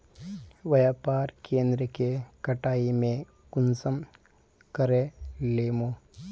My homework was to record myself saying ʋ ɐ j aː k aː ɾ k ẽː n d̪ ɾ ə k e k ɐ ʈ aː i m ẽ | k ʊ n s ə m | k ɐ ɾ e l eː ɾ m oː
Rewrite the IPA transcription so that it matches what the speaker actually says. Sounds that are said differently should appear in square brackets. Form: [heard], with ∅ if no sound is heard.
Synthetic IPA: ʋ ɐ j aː [p] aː ɾ k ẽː n d̪ ɾ ə k e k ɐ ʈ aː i m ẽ | k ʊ n s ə m | k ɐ ɾ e l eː [∅] m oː